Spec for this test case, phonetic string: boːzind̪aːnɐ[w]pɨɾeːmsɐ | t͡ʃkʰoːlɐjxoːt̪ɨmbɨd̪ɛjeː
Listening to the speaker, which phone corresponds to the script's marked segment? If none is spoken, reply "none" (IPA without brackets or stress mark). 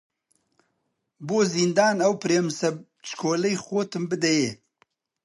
w